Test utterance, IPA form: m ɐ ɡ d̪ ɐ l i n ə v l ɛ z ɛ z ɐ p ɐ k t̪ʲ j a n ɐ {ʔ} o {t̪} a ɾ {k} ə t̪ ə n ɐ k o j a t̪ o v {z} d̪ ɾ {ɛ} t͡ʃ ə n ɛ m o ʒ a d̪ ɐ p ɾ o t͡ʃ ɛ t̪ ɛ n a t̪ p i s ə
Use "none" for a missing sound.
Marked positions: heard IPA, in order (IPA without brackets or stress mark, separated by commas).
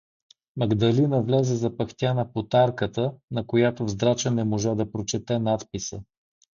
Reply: p, t̪, k, z, a